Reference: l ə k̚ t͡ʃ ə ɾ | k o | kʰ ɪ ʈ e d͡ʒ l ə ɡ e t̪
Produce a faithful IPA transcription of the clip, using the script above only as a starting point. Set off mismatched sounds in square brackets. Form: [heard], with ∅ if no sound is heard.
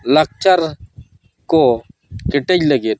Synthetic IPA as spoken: l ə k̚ t͡ʃ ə ɾ | k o | [k] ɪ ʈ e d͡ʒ l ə ɡ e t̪